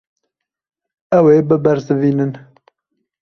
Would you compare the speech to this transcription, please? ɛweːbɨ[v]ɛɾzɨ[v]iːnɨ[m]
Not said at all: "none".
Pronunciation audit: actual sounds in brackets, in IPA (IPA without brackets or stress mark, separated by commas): b, v, n